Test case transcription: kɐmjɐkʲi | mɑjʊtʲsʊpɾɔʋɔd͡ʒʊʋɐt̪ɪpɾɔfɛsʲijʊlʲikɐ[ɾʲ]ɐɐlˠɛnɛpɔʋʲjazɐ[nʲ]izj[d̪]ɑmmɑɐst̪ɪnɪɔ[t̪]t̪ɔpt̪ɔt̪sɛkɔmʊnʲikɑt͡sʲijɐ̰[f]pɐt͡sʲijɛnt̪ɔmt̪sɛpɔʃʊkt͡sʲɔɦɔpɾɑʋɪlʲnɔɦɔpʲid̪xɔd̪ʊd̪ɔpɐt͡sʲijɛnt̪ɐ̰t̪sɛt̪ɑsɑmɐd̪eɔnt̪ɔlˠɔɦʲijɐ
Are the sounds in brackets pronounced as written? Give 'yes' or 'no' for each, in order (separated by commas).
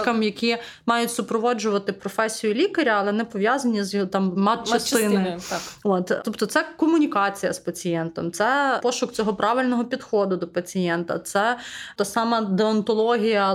yes, yes, no, yes, no